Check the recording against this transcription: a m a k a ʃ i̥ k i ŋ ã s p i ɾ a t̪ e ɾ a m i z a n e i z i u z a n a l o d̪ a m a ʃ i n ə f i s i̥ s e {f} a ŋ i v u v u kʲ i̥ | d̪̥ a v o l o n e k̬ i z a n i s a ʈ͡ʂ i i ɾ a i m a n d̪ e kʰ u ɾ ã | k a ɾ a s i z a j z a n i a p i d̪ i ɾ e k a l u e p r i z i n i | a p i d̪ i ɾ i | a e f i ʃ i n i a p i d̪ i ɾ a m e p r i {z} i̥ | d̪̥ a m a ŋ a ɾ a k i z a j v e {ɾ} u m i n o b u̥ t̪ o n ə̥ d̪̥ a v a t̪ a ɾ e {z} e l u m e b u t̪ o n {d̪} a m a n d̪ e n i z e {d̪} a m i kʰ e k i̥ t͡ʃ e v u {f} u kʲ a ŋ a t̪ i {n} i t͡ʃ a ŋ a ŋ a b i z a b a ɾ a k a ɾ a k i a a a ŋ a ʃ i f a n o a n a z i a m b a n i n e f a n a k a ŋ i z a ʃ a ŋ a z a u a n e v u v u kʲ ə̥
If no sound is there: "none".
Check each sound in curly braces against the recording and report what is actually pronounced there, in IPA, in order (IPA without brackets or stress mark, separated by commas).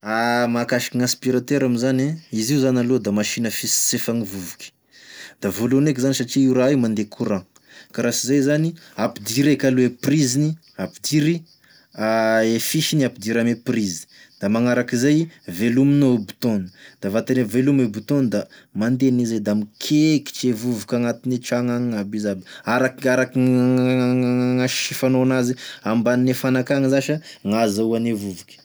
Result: f, z, l, v, d̪, d̪, v, n